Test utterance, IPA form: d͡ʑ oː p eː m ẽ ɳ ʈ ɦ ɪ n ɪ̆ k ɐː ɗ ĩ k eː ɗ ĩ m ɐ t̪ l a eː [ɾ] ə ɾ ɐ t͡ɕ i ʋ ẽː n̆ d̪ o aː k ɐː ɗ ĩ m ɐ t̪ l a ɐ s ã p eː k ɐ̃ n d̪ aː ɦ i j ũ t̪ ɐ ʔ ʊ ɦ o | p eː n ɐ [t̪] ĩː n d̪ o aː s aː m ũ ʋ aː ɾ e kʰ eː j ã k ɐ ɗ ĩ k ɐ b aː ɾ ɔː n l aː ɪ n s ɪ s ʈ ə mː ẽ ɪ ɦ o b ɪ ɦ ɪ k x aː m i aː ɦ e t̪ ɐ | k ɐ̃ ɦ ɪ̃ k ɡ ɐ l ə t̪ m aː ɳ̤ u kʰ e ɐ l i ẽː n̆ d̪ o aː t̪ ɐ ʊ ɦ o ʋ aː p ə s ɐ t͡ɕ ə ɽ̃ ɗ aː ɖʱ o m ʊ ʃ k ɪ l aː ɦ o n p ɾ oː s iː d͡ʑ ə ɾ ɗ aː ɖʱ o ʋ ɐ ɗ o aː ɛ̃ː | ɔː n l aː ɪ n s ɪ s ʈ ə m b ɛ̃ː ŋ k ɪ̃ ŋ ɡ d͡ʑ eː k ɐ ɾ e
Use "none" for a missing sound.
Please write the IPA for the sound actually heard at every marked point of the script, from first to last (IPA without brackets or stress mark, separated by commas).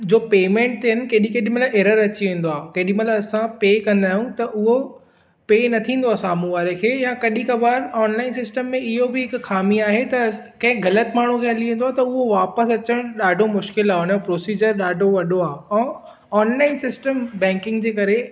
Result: ɾ, t̪ʰ